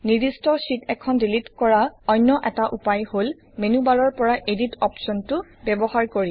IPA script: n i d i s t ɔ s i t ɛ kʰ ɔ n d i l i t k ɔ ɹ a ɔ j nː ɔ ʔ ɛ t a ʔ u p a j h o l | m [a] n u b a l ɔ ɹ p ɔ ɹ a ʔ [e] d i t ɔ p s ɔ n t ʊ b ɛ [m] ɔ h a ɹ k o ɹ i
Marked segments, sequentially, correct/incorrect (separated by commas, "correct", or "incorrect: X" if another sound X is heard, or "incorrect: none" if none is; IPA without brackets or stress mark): incorrect: e, correct, incorrect: b